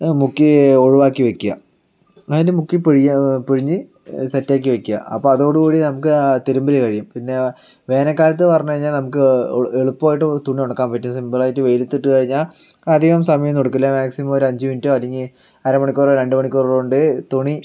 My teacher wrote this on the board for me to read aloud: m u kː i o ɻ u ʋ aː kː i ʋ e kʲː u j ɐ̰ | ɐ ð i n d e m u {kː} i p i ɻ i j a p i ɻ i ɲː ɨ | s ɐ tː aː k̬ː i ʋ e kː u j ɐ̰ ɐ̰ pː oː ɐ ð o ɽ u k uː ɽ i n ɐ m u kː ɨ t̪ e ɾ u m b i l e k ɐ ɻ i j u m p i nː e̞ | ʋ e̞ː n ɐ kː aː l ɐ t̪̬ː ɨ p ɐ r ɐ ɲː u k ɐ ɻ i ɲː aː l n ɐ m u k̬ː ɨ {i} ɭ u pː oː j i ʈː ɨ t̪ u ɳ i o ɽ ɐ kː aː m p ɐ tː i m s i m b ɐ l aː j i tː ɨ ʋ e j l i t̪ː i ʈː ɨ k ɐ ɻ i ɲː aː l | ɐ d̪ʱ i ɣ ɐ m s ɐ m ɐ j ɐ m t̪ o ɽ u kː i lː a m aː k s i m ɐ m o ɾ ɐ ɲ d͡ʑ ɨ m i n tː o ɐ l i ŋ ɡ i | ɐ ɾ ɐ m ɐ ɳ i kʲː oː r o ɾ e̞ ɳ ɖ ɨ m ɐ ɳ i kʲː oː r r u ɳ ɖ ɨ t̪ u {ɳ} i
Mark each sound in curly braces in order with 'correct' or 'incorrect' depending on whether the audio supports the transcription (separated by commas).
correct, incorrect, correct